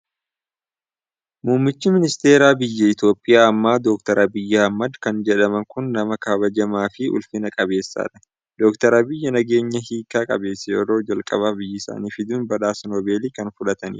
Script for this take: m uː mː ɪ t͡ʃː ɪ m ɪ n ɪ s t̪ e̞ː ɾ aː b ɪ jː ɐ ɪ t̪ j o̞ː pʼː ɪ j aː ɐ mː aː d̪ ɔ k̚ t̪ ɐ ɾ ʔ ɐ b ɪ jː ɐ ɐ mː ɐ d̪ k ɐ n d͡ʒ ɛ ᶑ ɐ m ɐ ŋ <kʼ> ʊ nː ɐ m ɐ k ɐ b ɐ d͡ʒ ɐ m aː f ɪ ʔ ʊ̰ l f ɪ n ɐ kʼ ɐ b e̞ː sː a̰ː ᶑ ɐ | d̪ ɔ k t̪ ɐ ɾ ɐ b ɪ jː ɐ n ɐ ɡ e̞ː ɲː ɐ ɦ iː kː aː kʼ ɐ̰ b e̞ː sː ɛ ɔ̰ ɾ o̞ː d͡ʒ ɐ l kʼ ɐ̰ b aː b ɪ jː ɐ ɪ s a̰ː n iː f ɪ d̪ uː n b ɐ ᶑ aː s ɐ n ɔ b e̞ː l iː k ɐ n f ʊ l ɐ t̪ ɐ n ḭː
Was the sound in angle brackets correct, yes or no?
no